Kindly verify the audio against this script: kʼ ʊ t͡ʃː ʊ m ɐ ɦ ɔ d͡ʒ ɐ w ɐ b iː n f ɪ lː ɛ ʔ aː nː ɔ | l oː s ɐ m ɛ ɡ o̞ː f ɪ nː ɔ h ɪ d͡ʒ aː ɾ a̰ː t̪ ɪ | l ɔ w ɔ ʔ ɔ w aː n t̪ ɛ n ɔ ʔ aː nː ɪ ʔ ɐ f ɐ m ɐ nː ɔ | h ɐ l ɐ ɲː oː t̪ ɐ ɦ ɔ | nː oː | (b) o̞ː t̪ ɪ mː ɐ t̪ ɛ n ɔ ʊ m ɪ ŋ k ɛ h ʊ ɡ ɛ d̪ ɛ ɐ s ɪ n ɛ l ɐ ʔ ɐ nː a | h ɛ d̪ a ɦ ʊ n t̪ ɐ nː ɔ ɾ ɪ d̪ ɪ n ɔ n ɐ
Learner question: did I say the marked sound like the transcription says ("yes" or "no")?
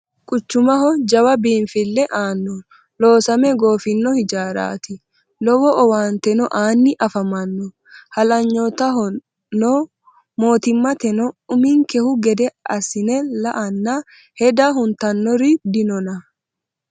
no